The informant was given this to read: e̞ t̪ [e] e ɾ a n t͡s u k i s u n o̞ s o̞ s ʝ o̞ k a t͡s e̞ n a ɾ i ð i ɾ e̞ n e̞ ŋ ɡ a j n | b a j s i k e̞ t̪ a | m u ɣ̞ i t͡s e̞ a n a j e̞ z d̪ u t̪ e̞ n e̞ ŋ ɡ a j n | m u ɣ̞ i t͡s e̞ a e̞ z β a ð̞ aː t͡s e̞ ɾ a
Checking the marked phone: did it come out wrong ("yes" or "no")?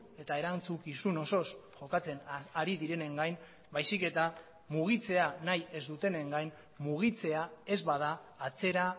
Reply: yes